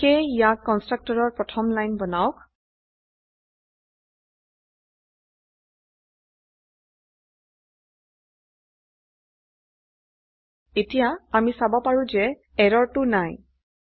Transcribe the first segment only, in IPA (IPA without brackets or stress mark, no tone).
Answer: k